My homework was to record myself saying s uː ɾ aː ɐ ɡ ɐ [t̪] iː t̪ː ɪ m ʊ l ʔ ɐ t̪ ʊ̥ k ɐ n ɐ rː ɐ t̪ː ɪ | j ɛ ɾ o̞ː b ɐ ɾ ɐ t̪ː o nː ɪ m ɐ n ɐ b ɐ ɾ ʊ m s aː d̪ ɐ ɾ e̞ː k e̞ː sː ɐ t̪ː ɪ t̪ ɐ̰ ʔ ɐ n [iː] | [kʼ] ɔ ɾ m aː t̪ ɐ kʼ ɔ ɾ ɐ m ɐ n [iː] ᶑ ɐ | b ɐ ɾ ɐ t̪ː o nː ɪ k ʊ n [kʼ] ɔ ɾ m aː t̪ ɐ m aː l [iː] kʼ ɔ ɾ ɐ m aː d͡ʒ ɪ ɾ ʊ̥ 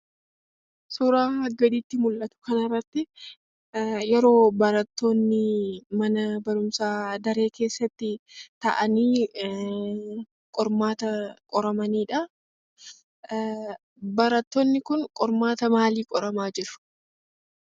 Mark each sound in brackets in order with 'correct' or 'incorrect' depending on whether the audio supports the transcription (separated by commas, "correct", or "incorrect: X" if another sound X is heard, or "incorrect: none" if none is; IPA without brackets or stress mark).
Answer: incorrect: d̪, correct, correct, correct, correct, correct